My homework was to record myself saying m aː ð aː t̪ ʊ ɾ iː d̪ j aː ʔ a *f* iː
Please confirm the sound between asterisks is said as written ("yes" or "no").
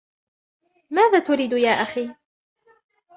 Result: no